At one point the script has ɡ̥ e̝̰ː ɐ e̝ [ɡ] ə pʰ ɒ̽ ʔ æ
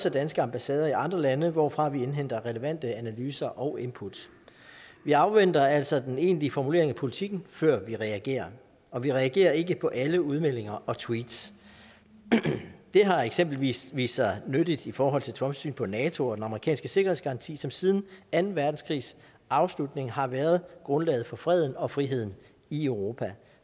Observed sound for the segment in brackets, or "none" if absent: ɡ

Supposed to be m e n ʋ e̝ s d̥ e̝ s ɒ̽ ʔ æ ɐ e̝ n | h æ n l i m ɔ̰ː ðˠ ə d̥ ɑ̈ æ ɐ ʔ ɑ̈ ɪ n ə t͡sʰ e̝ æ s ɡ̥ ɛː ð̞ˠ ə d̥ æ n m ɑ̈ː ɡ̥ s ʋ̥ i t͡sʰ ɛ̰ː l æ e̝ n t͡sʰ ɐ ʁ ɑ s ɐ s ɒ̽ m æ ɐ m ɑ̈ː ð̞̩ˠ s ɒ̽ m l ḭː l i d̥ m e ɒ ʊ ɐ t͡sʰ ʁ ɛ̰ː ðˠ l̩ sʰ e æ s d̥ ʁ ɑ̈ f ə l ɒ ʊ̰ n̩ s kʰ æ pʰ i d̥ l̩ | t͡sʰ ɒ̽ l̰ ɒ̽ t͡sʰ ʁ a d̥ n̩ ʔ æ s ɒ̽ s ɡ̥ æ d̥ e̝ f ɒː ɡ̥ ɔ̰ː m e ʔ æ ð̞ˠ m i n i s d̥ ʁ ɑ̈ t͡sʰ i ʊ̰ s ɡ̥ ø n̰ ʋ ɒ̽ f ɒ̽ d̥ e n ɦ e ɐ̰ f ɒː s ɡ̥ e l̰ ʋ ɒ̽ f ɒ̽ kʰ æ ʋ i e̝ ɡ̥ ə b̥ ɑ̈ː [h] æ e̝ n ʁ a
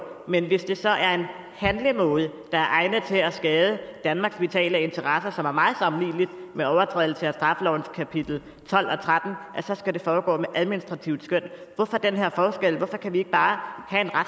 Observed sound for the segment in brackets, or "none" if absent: h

